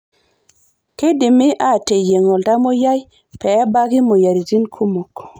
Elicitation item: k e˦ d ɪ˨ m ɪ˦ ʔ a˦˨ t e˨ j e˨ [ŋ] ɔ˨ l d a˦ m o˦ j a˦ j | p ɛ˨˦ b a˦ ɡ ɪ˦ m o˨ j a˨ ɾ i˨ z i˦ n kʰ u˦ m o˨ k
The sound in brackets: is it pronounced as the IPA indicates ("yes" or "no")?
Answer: yes